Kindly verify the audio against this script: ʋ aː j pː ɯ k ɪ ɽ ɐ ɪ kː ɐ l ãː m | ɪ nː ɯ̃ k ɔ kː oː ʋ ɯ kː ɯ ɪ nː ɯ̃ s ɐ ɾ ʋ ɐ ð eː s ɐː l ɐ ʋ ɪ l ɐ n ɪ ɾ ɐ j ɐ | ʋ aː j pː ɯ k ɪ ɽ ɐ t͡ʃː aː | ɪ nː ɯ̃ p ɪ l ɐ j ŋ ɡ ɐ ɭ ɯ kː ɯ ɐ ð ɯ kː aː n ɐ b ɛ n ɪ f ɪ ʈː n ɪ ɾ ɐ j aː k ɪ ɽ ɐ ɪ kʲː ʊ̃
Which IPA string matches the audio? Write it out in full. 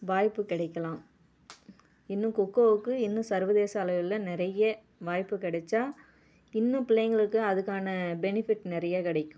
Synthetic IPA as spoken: ʋ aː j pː ɯ k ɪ ɽ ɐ ɪ kː ɐ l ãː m | ɪ nː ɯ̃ k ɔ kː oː ʋ ɯ kː ɯ ɪ nː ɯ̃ s ɐ ɾ ʋ ɐ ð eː s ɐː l ɐ ʋ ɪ l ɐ n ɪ ɾ ɐ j ɐ | ʋ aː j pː ɯ k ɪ ɽ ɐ t͡ʃː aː | ɪ nː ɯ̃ p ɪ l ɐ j ŋ ɡ ɐ ɭ ɯ kː ɯ ɐ ð ɯ kː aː n ɐ b ɛ n ɪ f ɪ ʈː n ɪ ɾ ɐ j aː k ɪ ɽ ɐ ɪ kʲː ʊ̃